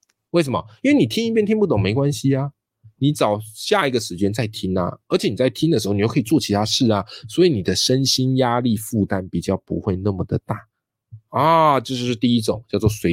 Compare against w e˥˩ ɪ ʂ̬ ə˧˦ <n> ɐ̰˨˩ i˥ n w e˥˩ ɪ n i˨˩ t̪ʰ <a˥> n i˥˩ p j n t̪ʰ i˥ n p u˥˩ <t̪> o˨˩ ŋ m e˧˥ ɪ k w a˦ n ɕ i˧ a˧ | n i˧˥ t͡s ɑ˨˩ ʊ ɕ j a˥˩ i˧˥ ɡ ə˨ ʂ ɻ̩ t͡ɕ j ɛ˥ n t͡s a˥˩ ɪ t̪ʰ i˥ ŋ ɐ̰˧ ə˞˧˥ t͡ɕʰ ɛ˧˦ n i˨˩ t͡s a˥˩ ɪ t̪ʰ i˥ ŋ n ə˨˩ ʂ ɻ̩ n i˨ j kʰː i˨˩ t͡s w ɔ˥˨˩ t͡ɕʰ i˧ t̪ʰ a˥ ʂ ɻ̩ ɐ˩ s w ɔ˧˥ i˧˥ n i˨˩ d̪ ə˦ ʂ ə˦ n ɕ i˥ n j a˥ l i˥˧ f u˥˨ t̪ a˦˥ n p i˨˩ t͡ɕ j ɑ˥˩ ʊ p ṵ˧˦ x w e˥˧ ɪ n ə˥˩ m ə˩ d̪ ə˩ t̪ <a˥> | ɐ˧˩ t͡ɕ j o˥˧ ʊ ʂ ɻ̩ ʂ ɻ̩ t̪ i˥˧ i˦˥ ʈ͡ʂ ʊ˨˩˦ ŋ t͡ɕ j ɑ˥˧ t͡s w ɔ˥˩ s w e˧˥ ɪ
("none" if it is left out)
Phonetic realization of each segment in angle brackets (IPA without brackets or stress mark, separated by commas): m, i˥, t̪, a˥˩